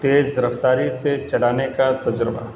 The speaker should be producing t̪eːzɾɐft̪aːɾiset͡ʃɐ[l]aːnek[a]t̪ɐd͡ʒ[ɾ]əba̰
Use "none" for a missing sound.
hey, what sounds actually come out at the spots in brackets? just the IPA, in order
ɽ, a, ɾ

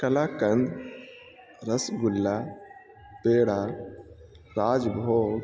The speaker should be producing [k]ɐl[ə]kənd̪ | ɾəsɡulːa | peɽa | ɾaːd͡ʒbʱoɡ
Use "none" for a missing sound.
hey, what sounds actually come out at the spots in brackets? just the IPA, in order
k, a

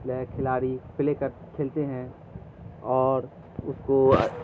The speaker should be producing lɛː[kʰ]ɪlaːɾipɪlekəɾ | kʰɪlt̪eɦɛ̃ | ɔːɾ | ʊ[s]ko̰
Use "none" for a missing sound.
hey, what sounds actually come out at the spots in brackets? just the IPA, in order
kʰ, s

